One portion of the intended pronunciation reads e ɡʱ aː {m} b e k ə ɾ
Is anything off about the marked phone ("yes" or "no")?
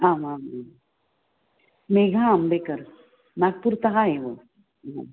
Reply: no